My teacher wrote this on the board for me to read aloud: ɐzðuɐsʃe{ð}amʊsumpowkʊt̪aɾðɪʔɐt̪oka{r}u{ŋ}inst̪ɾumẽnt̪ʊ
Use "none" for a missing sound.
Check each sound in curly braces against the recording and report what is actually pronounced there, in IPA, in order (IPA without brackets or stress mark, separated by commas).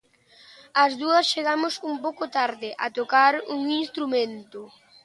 ɣ, ɾ, ŋ